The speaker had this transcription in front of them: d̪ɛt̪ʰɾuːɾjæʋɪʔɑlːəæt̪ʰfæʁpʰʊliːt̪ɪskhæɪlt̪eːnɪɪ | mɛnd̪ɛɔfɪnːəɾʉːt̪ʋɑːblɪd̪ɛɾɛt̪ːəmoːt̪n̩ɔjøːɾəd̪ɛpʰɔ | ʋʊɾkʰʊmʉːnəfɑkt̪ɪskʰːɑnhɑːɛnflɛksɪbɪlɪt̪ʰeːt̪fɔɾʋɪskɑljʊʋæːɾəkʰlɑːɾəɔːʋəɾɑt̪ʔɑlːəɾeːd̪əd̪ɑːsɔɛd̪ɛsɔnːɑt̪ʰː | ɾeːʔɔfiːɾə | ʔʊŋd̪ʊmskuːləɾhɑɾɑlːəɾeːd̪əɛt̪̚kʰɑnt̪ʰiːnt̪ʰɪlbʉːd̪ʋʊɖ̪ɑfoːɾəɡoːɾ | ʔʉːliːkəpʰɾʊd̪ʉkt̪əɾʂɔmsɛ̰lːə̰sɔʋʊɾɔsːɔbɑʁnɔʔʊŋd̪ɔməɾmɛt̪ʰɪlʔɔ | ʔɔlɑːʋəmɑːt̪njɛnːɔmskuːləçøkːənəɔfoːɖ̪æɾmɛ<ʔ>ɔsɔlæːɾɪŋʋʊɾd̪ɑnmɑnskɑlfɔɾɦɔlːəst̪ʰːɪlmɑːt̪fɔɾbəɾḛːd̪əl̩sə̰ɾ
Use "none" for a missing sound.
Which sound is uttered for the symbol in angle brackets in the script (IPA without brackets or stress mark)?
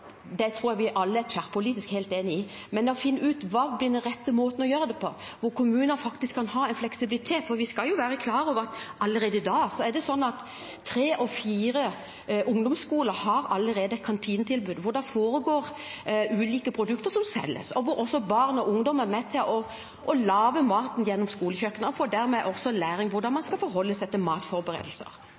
ʔ